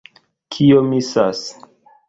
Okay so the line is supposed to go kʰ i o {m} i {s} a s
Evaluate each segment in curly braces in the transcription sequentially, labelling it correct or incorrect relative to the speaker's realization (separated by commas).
correct, correct